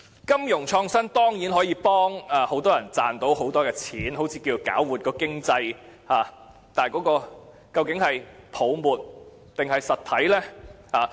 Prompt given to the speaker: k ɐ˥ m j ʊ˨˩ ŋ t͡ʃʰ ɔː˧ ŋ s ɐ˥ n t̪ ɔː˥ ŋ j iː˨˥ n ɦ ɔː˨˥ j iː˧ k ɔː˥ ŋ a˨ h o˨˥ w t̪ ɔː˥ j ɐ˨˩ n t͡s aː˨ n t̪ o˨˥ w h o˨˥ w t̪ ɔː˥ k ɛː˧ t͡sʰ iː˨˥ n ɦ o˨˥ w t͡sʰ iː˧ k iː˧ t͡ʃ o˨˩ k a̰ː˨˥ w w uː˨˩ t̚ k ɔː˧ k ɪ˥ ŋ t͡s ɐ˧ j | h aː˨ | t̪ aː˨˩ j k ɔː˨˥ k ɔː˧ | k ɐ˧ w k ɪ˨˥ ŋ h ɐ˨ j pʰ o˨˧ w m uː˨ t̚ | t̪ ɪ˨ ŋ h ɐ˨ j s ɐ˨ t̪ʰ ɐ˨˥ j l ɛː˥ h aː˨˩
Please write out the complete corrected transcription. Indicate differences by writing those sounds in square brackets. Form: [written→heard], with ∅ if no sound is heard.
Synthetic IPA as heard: k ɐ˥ m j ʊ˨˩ ŋ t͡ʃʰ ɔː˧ ŋ s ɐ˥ n t̪ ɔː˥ ŋ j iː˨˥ n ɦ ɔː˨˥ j iː˧ [k→p] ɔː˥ ŋ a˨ h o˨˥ w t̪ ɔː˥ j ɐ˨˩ n t͡s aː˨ n t̪ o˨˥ w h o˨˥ w t̪ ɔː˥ k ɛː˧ t͡sʰ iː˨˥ n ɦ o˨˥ w t͡sʰ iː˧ k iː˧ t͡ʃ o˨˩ k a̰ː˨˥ w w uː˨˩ t̚ k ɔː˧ k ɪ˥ ŋ t͡s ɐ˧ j | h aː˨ | t̪ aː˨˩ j k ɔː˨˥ k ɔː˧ | k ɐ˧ w k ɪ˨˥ ŋ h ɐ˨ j pʰ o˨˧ w m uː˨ t̚ | t̪ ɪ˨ ŋ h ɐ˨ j s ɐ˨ t̪ʰ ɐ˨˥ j l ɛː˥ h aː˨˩